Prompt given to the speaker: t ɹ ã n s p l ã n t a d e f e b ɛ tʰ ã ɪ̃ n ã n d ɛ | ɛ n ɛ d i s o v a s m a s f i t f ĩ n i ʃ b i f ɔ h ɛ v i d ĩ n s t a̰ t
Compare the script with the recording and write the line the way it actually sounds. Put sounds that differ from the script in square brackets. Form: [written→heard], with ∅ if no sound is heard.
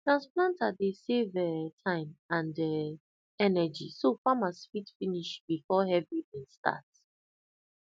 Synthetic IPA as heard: t ɹ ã n s p l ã n t a d e [f→s] e [b→v] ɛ tʰ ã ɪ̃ [n→m] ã n d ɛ | ɛ n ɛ [d→d͡ʒ] i s o [v→f] a [s→∅] m a s f i t f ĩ n i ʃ b i f ɔ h ɛ v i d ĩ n s t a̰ t